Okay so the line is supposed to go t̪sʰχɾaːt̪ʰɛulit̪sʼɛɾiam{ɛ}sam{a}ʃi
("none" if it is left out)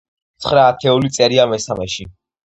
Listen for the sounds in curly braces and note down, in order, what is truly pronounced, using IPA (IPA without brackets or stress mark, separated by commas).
ɛ, ɛ